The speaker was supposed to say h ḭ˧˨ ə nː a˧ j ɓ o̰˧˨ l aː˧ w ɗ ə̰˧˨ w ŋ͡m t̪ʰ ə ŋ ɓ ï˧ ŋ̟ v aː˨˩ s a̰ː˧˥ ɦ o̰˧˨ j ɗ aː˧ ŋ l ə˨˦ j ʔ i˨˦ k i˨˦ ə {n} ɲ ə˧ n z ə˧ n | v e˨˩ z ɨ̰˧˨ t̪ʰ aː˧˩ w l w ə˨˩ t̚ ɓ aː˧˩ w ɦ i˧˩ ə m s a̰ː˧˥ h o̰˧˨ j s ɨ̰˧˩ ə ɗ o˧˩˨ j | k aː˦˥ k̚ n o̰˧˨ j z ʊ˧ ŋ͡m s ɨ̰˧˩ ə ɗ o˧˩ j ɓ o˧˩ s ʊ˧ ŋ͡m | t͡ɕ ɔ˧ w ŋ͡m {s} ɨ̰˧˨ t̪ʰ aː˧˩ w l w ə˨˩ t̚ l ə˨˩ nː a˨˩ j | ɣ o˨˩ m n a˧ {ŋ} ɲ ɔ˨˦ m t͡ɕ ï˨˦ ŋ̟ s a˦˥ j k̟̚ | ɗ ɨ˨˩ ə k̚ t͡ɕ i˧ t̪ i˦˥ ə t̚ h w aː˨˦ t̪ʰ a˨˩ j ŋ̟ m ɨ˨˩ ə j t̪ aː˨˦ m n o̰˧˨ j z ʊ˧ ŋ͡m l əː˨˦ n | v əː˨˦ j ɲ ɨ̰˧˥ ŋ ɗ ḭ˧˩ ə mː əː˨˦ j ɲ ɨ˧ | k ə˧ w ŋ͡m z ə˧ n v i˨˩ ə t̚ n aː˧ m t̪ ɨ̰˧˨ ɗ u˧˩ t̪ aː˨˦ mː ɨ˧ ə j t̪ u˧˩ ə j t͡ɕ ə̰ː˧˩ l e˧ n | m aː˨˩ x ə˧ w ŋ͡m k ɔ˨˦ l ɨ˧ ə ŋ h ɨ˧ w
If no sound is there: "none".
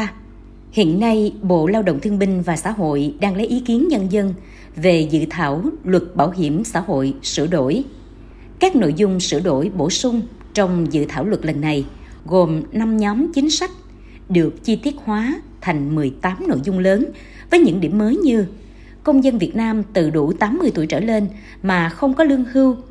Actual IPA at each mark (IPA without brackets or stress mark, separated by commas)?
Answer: n, z, m